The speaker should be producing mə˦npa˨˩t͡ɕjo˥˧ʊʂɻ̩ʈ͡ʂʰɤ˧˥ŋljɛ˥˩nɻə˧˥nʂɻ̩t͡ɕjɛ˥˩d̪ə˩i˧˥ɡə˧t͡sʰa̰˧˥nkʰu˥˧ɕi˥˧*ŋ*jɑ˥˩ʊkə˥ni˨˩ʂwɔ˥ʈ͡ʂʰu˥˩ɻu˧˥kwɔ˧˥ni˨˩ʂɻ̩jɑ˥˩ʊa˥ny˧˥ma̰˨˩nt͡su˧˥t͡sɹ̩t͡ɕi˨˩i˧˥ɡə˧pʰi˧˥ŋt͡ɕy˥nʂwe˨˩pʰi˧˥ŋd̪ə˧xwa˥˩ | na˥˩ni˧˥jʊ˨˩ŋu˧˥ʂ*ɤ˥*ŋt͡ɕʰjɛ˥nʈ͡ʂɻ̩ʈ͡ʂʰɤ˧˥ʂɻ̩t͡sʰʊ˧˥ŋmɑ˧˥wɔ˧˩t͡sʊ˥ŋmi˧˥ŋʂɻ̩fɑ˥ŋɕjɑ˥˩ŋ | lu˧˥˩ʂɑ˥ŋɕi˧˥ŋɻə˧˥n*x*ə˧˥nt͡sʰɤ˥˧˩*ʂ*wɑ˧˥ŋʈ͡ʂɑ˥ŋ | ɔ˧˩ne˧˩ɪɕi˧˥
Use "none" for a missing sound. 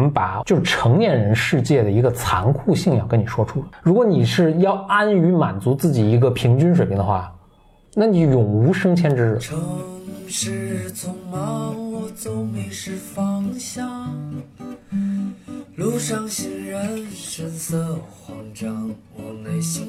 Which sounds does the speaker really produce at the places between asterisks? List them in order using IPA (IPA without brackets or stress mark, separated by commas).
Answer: ŋ, ɤ˥, ʂ, x